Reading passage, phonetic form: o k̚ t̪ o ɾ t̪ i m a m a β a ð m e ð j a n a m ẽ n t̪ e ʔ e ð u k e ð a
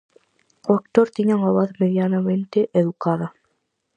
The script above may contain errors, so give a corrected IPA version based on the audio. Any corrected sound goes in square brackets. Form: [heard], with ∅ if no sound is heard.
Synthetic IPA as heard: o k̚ t̪ o ɾ t̪ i [ɲ] a [ŋ] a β a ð m e ð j a n a m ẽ n t̪ e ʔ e ð u k [a] ð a

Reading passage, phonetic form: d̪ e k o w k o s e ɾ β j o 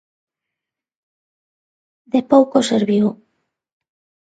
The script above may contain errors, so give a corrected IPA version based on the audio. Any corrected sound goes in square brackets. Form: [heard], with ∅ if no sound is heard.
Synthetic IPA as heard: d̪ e [p] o w k o s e ɾ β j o

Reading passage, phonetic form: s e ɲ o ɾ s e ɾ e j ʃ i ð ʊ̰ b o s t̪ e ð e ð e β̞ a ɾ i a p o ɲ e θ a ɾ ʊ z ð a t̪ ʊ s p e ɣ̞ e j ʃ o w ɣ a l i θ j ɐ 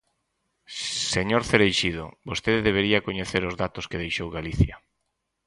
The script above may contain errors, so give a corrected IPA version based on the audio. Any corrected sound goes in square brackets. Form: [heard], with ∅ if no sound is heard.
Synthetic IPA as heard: s e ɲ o ɾ [θ] e ɾ e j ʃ i ð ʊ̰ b o s t̪ e ð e ð e β̞ [e] ɾ i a [k] o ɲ e θ [e] ɾ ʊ z ð a t̪ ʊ s [k] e [ð̞] e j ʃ o w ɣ a l i θ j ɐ

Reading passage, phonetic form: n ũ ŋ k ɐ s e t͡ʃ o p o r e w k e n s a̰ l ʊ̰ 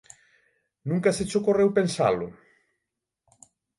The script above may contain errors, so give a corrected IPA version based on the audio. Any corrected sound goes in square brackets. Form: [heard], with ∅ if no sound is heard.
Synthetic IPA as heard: n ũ ŋ k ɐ s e t͡ʃ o [k] o r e w [p] e n s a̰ l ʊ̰

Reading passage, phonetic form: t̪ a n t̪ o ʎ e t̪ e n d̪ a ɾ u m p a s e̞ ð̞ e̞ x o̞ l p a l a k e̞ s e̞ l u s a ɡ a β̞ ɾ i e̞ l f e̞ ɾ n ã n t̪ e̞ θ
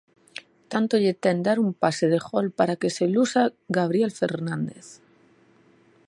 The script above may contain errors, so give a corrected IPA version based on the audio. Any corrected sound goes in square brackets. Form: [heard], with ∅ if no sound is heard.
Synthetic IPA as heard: t̪ a n t̪ o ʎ e t̪ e n d̪ a ɾ u m p a s e̞ ð̞ e̞ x o̞ l p a [ɾ] a k e̞ s e̞ l u s a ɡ a β̞ ɾ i e̞ l f e̞ ɾ n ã n [d̪] e̞ θ

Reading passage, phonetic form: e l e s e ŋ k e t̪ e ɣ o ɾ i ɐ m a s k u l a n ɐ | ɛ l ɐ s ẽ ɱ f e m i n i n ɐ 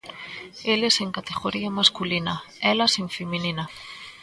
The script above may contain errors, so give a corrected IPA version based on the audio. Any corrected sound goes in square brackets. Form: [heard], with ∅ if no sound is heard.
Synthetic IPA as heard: e l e s e ŋ k [a] t̪ e ɣ o ɾ i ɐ m a s k u l [i] n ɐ | ɛ l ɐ s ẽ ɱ f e m i n i n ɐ

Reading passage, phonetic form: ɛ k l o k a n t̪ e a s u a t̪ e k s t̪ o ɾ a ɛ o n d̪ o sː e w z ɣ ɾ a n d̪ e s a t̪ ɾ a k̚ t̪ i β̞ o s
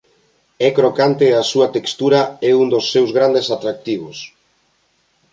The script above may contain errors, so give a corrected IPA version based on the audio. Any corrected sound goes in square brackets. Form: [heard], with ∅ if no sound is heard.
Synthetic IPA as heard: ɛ k [ɾ] o k a n t̪ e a s u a t̪ e k s t̪ [u] ɾ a ɛ [u] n d̪ o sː e w z ɣ ɾ a n d̪ e s a t̪ ɾ a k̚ t̪ i β̞ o s

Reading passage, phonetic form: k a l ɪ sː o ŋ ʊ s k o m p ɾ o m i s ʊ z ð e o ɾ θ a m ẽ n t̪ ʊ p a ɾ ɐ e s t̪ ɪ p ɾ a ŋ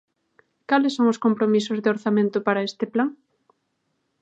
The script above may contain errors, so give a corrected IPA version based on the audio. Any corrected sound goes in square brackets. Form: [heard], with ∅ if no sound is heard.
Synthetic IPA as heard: k a l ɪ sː o ŋ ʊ s k o m p ɾ o m i s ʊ z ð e o ɾ θ a m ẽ n t̪ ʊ p a ɾ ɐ e s t̪ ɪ p [l] a ŋ

